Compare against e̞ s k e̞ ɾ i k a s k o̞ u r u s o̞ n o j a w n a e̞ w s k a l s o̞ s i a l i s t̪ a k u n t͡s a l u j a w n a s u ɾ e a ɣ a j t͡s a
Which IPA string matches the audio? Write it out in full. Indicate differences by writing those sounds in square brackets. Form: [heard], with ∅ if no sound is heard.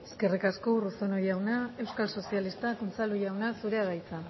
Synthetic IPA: e̞ s k e̞ [r] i k a s k o̞ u r u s o̞ n o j a w n a e̞ w s k a l s o̞ s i a l i s t̪ a k u n t͡s a l u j a w n a s u ɾ e a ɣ a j t͡s a